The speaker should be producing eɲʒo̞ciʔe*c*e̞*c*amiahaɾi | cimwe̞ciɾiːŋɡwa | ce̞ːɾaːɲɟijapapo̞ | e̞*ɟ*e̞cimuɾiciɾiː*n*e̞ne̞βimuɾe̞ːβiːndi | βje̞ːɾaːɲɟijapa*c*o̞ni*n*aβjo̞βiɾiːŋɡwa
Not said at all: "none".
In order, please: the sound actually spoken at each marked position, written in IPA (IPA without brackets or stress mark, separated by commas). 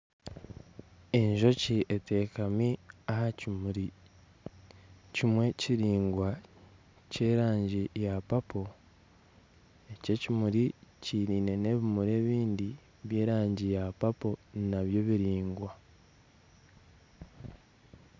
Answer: t, k, c, n, p, n